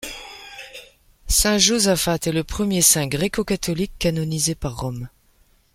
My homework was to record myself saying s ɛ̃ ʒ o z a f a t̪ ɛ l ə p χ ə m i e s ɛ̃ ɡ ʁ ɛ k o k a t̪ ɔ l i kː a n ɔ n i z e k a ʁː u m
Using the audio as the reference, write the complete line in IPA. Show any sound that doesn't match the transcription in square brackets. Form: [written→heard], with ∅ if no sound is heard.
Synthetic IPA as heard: s ɛ̃ ʒ o z a f a t̪ ɛ l ə p χ ə m [i→j] e s ɛ̃ ɡ ʁ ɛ k o k a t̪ ɔ l i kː a n ɔ n i z e [k→p] a ʁː [u→ɔ] m